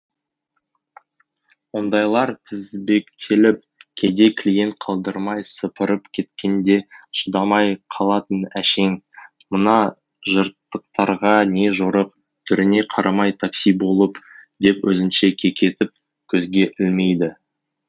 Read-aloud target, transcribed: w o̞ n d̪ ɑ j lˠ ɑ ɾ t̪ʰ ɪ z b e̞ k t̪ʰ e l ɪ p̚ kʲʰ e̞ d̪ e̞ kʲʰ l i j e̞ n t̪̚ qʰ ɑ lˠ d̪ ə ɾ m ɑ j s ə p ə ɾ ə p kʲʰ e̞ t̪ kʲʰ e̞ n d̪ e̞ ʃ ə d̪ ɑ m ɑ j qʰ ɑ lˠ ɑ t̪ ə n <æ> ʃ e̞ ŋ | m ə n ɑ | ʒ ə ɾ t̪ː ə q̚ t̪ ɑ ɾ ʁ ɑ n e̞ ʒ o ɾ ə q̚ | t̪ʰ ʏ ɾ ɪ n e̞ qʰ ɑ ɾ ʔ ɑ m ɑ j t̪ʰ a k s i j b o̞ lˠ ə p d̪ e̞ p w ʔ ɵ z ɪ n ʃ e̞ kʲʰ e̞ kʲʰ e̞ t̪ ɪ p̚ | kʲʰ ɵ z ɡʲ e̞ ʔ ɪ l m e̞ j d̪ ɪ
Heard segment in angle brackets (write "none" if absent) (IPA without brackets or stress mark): æ